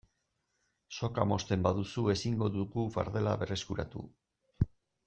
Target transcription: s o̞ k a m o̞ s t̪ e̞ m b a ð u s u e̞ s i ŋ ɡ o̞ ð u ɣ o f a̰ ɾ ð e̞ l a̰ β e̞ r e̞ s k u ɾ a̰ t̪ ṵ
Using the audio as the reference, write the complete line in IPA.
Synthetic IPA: s o̞ k a m o̞ s t̪ e̞ m b a ð u s u e̞ s i ŋ ɡ o̞ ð u ɣ u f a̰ ɾ ð e̞ l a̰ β e̞ r e̞ s k u ɾ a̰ t̪ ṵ